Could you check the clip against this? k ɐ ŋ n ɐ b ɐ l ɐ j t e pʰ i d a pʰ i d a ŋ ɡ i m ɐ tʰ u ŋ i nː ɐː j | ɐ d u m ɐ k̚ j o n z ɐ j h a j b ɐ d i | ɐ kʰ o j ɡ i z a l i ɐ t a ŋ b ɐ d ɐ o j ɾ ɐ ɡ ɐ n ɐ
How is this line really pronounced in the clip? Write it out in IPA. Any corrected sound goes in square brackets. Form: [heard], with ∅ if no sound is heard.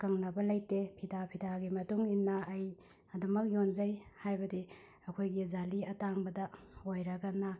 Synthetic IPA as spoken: k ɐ ŋ n ɐ b ɐ l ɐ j t e pʰ i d a pʰ i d a [∅] ɡ i m ɐ [t] u ŋ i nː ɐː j | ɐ d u m ɐ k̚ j o n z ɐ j h a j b ɐ d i | ɐ kʰ o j ɡ i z a l i ɐ t a ŋ b ɐ d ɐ o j ɾ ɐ ɡ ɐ n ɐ